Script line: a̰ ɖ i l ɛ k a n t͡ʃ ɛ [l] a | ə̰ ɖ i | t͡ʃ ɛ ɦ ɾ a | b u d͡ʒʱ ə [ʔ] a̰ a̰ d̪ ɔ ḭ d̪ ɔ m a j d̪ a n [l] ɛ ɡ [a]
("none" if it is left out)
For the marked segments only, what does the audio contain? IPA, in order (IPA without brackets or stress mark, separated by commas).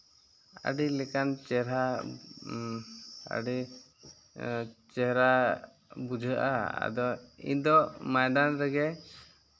ɾ, ʔ, ɾ, ɛ